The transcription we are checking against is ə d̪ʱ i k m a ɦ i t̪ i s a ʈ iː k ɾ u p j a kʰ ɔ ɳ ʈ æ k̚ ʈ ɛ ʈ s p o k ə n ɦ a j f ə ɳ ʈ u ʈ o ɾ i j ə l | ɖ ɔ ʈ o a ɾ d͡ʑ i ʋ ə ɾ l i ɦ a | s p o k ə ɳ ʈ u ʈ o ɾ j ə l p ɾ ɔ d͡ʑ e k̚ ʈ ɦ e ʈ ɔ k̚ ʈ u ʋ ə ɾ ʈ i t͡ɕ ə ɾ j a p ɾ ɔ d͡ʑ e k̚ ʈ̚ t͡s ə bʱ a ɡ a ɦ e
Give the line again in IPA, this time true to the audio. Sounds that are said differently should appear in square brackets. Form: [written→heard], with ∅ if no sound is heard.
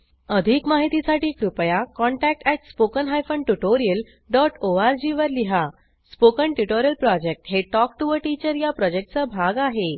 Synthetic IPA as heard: ə d̪ʱ i k m a ɦ i t̪ i s a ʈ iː k ɾ u p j a [kʰ→k] ɔ ɳ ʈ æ k̚ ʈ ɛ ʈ s p o k ə n ɦ a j f ə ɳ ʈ u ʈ o ɾ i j ə l | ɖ ɔ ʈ o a ɾ d͡ʑ i ʋ ə ɾ l i ɦ a | s p o k ə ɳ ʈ u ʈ o ɾ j ə l p ɾ ɔ d͡ʑ e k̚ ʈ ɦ e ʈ ɔ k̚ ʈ u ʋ ə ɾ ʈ i t͡ɕ ə ɾ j a p ɾ ɔ d͡ʑ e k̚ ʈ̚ t͡s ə bʱ a ɡ a ɦ e